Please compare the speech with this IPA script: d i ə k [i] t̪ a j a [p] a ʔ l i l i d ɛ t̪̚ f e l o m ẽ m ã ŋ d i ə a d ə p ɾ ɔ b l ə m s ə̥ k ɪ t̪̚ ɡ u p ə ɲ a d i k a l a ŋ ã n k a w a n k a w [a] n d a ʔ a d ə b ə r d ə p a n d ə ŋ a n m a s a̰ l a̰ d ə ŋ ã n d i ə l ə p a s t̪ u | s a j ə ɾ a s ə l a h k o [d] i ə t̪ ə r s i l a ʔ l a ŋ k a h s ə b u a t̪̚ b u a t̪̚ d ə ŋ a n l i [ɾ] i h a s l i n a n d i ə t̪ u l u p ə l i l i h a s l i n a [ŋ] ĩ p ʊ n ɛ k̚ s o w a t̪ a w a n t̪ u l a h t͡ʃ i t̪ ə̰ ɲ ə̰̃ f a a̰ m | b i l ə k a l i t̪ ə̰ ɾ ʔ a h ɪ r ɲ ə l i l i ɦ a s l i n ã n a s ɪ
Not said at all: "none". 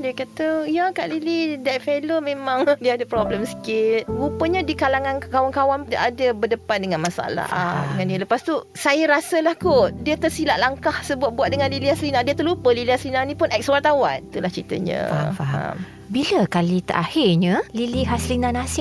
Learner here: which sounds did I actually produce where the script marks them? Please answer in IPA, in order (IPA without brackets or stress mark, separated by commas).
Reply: a, k, a, d, l, n